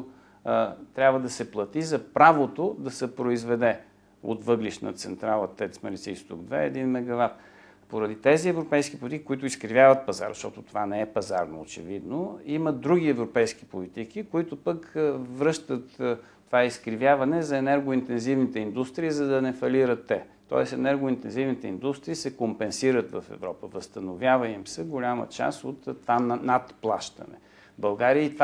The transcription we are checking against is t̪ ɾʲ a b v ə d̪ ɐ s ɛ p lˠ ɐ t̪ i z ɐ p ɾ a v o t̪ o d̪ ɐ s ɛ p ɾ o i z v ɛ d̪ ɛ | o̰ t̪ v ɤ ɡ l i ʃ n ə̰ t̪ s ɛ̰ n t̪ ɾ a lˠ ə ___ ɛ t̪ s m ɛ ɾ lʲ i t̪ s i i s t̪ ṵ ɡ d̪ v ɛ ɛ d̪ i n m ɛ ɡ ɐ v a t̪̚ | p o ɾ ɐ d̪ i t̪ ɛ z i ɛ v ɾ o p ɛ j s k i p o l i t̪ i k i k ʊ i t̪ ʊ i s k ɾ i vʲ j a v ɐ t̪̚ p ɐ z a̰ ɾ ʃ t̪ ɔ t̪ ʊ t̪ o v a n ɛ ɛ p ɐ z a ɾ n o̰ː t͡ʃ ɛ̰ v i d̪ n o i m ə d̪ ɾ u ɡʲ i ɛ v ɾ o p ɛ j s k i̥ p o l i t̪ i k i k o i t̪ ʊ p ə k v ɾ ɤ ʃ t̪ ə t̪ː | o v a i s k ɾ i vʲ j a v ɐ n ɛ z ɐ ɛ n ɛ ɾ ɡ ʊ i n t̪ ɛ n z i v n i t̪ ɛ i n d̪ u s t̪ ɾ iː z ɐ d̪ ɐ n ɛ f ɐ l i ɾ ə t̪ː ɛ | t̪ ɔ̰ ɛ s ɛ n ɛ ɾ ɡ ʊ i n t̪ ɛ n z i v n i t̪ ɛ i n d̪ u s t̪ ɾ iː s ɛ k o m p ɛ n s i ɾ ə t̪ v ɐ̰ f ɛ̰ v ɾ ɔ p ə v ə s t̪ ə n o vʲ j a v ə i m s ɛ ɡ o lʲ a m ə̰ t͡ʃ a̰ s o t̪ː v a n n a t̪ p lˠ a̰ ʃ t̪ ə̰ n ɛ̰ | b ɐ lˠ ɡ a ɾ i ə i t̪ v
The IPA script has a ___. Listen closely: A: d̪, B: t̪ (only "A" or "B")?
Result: B